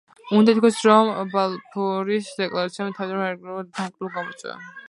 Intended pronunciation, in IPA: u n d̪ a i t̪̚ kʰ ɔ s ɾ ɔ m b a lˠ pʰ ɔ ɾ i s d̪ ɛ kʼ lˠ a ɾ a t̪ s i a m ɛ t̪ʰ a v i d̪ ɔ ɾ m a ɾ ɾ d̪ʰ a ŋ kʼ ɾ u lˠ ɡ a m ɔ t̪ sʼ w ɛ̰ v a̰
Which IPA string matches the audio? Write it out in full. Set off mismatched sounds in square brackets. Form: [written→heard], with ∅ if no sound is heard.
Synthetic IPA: u n d̪ a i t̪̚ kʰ ɔ s ɾ ɔ m b a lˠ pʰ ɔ ɾ i s d̪ ɛ kʼ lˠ a ɾ a t̪ s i a m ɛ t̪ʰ a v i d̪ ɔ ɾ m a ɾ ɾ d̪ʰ a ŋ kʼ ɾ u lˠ ɡ a m ɔ t̪ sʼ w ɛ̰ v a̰